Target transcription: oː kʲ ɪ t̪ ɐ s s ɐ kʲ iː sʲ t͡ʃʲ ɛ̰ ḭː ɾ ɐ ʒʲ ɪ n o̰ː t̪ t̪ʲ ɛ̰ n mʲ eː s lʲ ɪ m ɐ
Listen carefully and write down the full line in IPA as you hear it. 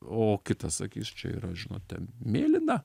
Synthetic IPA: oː kʲ ɪ t̪ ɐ s s ɐ kʲ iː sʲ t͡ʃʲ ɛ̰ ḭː ɾ ɐ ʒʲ ɪ n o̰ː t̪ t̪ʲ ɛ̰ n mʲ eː lʲ ɪ n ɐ